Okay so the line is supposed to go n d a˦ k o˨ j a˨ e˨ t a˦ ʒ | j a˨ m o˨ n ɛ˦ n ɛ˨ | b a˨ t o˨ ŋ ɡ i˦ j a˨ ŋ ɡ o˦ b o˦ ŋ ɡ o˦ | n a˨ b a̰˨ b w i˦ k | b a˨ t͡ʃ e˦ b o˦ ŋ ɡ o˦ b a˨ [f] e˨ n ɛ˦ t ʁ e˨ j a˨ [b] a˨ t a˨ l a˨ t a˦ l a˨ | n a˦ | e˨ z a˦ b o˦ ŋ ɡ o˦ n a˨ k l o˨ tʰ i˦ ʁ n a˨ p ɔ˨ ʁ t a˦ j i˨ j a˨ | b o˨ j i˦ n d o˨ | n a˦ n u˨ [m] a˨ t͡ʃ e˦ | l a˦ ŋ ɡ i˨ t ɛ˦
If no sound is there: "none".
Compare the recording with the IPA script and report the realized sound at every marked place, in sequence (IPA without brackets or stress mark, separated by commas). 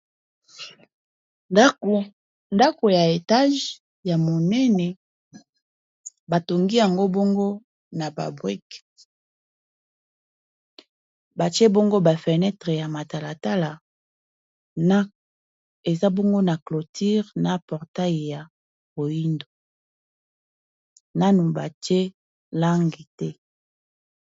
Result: f, m, b